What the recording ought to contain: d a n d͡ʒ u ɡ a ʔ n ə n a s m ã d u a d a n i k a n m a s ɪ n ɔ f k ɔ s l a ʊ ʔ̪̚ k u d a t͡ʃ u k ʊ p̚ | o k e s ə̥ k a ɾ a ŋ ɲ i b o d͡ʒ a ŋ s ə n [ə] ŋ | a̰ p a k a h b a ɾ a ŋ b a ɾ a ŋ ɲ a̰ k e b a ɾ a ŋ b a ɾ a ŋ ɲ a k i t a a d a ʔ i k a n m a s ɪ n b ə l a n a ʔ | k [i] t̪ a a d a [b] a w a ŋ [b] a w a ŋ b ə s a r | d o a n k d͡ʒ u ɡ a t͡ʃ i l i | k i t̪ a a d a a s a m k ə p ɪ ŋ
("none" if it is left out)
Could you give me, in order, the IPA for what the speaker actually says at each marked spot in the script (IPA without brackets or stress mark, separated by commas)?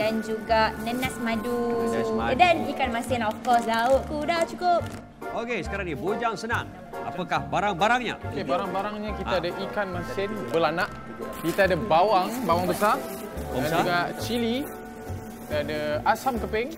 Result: a, i, b, b